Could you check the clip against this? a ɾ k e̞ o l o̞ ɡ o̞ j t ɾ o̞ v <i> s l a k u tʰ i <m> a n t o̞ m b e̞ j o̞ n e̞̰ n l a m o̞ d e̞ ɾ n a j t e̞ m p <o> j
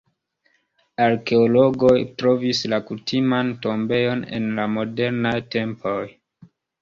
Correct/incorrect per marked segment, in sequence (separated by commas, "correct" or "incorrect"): correct, correct, correct